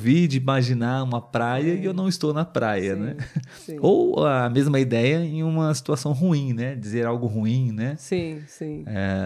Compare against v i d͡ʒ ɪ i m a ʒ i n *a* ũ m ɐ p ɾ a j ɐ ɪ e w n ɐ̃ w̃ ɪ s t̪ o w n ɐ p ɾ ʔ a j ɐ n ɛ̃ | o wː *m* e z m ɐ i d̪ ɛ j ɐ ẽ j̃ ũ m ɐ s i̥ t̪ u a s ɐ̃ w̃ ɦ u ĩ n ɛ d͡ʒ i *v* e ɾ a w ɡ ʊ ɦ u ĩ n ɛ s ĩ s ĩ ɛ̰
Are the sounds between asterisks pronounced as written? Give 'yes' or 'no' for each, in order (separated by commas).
yes, yes, no